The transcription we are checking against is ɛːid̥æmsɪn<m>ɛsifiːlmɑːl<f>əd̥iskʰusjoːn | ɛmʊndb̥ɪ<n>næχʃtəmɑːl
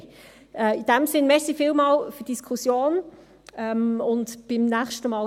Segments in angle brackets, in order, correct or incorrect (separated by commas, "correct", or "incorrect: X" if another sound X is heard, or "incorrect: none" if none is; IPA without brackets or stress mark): correct, correct, incorrect: m